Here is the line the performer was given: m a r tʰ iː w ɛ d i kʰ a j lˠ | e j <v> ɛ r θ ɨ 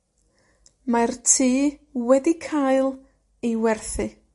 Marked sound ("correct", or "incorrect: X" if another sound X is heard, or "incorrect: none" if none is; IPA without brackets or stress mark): incorrect: w